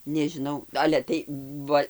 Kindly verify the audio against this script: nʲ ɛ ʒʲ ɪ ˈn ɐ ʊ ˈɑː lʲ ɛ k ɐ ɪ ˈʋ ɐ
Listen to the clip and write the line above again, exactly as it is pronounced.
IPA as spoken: nʲ ɛ ʒʲ ɪ ˈn ɐ ʊ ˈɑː lʲ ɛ t ɐ ɪ ˈʋ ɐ